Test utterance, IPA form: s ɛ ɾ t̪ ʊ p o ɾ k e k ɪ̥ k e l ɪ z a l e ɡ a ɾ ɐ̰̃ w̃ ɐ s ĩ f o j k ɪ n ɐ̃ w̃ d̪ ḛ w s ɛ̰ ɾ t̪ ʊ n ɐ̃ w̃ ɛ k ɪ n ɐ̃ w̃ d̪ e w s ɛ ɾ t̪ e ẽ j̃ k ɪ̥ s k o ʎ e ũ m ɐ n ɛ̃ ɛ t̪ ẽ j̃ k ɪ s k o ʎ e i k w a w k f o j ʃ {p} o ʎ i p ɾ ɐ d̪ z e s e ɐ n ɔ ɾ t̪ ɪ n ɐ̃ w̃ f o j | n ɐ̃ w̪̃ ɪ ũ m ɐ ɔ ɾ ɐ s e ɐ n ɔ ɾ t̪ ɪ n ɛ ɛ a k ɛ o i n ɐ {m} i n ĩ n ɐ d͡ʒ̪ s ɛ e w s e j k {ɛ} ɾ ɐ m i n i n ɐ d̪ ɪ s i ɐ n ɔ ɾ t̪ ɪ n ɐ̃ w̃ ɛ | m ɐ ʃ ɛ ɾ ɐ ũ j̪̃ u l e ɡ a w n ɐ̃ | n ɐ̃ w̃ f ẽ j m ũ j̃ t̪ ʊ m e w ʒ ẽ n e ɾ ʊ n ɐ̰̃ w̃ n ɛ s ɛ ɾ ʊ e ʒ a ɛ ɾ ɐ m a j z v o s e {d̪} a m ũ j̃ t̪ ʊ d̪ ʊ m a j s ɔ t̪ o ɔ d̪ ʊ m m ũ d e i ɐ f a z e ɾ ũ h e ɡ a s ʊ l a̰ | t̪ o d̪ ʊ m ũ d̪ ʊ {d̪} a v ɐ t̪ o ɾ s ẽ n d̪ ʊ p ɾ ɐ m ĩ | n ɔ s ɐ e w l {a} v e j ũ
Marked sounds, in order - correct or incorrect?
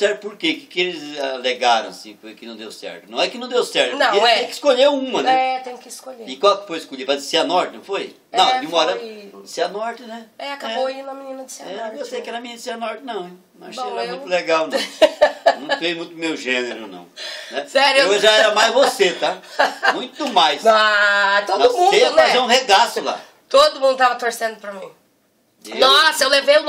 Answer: incorrect: k, correct, correct, incorrect: t̪, incorrect: t̪, incorrect: e

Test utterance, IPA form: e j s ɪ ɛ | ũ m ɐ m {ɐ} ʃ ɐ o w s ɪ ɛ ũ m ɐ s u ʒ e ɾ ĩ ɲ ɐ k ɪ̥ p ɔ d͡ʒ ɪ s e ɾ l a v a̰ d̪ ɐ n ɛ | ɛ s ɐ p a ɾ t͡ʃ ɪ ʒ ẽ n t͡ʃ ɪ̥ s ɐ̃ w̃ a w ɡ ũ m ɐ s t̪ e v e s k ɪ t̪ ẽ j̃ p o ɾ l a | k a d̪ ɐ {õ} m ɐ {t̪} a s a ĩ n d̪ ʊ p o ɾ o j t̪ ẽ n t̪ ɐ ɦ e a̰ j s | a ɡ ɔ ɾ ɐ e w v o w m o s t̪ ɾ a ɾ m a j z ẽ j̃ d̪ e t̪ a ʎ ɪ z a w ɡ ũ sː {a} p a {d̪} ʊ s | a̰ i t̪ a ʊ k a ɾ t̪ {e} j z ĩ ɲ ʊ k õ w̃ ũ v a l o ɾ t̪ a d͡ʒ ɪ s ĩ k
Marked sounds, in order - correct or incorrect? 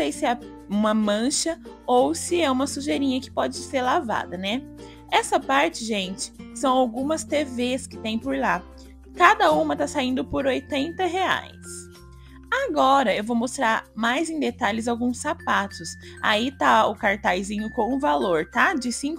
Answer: incorrect: ɐ̃, incorrect: ũ, correct, correct, incorrect: t̪, incorrect: a

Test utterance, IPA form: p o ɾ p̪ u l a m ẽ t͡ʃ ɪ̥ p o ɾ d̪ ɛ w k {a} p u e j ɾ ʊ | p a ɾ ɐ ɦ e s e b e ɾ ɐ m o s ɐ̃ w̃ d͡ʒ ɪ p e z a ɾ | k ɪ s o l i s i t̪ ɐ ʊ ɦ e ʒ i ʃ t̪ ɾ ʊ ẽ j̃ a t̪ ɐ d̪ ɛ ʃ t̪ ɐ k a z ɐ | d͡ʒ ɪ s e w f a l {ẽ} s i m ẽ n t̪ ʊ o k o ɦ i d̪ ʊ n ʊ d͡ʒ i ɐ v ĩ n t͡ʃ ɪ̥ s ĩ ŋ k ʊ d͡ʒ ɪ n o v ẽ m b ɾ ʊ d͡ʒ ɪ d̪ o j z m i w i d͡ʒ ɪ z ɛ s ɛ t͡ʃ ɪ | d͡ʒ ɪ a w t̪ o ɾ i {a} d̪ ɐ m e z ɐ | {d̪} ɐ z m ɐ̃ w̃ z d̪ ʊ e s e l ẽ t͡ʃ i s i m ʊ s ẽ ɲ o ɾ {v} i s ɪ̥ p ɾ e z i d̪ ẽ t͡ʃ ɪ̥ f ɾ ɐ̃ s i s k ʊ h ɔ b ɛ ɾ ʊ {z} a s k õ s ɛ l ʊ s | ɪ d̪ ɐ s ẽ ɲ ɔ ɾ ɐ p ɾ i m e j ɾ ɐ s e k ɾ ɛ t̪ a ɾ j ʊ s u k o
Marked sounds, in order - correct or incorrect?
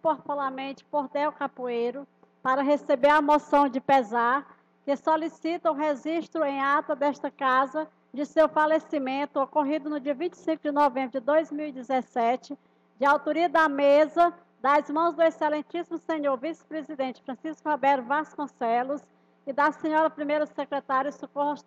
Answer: correct, incorrect: e, incorrect: ɐ, correct, correct, incorrect: v

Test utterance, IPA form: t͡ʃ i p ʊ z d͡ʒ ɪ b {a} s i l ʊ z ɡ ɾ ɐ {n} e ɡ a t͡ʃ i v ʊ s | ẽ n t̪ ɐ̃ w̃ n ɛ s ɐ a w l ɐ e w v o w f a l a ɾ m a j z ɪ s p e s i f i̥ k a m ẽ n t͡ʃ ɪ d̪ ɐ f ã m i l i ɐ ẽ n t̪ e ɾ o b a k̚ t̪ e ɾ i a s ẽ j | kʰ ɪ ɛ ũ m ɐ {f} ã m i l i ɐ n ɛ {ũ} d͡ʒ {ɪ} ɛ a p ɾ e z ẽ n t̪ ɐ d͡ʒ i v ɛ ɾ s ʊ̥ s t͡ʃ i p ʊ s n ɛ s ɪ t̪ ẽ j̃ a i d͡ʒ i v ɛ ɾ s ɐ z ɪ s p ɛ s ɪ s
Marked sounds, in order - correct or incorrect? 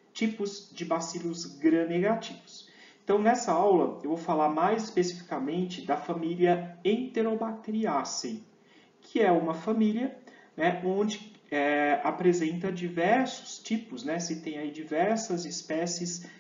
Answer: correct, correct, correct, incorrect: õ, correct

